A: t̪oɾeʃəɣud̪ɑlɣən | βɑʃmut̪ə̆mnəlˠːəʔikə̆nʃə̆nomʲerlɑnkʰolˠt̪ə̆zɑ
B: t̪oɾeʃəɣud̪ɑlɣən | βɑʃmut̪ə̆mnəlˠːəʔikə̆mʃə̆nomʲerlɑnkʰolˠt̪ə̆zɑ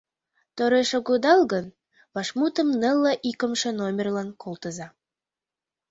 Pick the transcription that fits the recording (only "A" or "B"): B